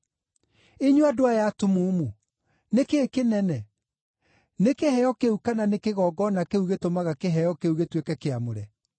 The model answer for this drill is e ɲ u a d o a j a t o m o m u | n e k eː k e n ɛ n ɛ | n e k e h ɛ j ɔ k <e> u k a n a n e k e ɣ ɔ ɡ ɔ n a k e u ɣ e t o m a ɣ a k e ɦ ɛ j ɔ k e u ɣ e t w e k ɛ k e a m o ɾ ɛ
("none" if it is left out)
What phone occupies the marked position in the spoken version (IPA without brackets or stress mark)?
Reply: e